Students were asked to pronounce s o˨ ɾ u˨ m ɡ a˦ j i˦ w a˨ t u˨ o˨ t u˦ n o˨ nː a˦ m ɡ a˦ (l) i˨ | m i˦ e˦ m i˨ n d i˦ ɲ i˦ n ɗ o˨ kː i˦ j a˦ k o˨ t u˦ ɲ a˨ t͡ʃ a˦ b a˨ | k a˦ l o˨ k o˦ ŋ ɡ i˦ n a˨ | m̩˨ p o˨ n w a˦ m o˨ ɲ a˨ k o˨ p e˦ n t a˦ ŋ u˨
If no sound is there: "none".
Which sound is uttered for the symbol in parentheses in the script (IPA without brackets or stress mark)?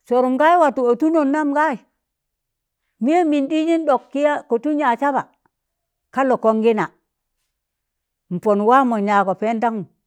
none